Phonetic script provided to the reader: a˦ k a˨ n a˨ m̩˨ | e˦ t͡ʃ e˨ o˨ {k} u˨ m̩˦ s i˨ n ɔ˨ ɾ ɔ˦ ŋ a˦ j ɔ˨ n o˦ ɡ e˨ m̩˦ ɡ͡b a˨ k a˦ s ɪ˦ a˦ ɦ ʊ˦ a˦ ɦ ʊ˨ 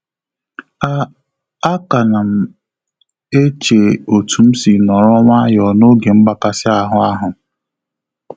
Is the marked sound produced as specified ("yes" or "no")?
no